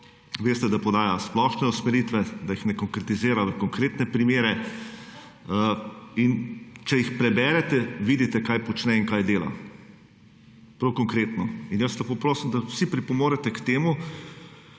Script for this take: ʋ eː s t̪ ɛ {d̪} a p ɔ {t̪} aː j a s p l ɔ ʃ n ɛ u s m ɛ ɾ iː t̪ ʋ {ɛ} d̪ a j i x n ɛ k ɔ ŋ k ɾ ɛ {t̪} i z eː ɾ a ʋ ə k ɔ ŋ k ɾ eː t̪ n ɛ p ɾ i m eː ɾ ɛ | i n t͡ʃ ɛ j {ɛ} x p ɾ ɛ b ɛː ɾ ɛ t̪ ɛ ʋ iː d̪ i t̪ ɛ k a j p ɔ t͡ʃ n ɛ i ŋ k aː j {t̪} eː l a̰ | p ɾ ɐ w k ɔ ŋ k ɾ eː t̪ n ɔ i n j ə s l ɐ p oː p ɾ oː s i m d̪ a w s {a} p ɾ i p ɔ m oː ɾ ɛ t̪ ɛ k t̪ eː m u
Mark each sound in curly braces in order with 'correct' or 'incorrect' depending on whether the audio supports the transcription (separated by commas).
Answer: correct, incorrect, correct, correct, incorrect, incorrect, incorrect